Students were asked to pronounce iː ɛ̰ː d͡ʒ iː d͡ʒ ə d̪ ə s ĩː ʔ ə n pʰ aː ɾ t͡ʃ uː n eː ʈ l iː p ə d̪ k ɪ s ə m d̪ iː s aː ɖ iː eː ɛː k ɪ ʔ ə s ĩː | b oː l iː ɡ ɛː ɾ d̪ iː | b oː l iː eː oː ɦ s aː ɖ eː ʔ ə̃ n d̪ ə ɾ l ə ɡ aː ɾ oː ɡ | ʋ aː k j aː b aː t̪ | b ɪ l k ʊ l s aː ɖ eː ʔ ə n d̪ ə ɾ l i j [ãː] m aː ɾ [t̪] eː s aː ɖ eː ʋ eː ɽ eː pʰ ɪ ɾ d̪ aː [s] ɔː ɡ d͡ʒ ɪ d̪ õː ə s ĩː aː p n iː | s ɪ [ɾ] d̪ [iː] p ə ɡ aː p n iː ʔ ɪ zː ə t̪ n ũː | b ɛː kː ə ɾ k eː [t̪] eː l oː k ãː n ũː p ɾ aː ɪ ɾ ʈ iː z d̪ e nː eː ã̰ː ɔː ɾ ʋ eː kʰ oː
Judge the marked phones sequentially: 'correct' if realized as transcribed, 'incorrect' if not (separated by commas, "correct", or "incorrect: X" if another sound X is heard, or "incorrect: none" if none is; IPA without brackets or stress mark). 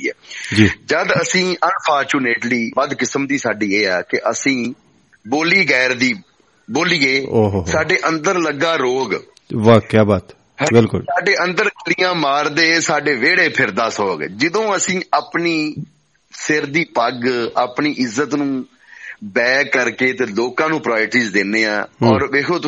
correct, incorrect: d̪, correct, correct, correct, correct